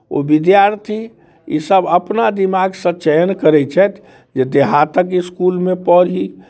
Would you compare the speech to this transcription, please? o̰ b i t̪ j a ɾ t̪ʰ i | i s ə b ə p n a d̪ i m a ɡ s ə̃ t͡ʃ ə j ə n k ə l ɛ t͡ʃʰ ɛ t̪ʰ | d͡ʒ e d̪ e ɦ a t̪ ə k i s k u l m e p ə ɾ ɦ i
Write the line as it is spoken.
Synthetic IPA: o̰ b i d̪ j a ɾ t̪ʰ i | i s ə b ə p n a d̪ i m a ɡ s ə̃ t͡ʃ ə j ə n k ə ɾ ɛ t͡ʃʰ ɛ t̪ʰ | d͡ʒ e d̪ e ɦ a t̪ ə k i s k u l m e p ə ɾ ɦ i